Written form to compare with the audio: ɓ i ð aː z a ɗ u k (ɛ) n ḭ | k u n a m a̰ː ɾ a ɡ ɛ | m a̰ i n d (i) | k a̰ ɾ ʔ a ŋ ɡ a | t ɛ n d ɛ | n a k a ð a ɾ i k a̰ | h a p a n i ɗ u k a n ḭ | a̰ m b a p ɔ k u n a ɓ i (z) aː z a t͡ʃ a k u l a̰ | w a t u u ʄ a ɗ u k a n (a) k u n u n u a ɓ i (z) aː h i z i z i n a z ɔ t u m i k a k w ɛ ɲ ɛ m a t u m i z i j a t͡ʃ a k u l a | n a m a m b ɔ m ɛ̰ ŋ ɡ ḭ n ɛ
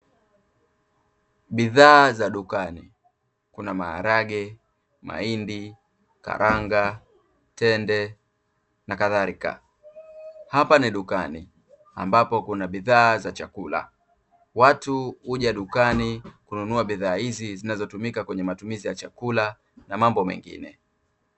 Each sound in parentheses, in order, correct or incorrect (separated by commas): incorrect, correct, incorrect, incorrect, incorrect